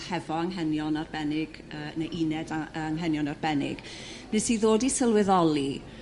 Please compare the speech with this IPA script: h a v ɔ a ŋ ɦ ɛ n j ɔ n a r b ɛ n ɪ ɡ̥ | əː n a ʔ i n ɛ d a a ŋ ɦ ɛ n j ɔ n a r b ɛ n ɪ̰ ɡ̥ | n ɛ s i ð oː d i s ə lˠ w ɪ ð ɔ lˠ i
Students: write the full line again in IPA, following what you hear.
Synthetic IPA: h ɛ v ɔ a ŋ ɦ ɛ n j ɔ n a r b ɛ n ɪ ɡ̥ | əː n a ʔ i n ɛ d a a ŋ ɦ ɛ n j ɔ n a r b ɛ n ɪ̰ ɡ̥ | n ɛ s i ð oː d i s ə lˠ w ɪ ð ɔ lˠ i